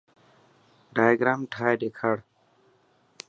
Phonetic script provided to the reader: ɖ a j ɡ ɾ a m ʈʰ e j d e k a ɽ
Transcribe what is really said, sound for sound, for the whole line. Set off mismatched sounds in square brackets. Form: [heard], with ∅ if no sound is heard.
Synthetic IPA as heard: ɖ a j ɡ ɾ a m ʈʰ [a] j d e [kʰ] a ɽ